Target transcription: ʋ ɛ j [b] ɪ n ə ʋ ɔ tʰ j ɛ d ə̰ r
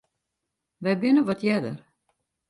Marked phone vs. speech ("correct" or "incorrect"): correct